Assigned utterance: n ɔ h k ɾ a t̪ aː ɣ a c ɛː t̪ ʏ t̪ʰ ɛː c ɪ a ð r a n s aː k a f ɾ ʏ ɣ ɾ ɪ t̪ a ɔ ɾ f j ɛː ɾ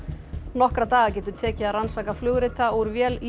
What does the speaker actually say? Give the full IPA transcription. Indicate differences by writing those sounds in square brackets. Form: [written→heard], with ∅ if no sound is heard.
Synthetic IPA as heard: n ɔ h k ɾ a t̪ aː ɣ a c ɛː t̪ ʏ t̪ʰ ɛː c ɪ a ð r a n s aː k a f [ɾ→l] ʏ ɣ ɾ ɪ t̪ a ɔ ɾ [f→v] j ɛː [ɾ→l]